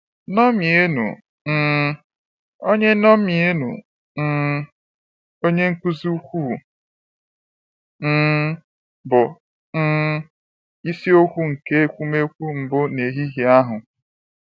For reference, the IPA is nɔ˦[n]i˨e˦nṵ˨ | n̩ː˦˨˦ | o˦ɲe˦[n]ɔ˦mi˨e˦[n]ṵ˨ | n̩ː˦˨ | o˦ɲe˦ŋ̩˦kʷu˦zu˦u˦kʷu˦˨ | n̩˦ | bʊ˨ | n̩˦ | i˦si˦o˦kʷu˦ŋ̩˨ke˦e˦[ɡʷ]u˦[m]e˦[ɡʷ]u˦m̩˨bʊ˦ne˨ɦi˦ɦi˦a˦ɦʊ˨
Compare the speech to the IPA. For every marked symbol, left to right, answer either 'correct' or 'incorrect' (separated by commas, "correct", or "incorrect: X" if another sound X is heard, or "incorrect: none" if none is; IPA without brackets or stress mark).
incorrect: m, correct, correct, incorrect: kʷ, correct, incorrect: kʷ